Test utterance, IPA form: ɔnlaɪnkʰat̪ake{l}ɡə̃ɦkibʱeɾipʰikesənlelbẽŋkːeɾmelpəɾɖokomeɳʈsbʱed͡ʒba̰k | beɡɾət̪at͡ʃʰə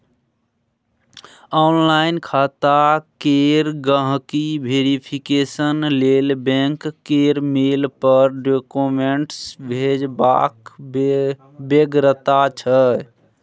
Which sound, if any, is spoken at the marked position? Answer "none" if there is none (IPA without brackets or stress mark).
ɾ